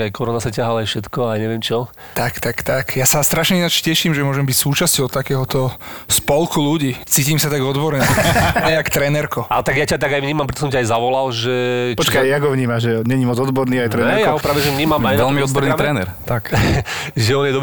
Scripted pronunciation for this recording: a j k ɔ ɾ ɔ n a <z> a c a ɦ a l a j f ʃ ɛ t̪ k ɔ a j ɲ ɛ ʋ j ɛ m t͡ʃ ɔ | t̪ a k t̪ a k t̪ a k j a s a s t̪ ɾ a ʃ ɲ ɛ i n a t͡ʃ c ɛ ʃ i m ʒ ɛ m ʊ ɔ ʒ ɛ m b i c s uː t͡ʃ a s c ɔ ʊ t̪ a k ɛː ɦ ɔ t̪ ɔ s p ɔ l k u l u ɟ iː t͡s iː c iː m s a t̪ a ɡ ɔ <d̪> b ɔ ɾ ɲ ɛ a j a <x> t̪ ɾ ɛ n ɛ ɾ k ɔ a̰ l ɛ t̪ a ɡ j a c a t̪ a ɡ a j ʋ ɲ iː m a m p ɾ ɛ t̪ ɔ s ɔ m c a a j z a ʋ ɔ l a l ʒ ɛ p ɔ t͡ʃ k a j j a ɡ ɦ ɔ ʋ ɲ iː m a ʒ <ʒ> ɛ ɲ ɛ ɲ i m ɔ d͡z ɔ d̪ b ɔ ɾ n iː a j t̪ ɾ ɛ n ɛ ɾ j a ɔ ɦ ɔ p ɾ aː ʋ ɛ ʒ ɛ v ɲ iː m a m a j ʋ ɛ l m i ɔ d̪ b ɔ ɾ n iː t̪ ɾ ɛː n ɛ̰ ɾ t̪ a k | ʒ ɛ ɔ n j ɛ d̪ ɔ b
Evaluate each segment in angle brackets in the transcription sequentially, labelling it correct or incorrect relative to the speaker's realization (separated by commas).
incorrect, correct, incorrect, correct